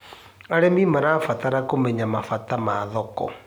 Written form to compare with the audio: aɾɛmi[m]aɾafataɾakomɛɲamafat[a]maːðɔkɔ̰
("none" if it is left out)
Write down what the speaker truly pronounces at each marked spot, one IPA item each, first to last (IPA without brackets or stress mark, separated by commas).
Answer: m, a